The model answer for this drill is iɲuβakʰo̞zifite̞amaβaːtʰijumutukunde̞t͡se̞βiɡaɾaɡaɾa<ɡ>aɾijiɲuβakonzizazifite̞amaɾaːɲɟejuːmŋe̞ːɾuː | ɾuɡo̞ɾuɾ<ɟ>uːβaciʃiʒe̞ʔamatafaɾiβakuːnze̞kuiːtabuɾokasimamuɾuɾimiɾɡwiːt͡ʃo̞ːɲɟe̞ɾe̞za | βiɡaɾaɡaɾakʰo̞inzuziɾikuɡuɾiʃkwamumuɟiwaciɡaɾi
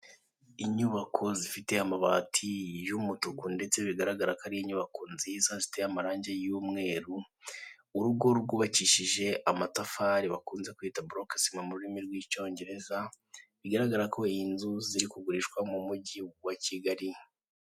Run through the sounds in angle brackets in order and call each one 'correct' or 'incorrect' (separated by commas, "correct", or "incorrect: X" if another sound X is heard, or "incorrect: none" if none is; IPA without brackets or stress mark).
incorrect: k, incorrect: ɡ